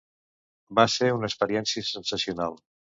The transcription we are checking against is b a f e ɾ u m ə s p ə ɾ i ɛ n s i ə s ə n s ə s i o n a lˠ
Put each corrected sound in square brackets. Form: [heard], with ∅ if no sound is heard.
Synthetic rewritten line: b a [s] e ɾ u [n] ə s p ə ɾ i ɛ n s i ə s ə n s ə s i [u] n a lˠ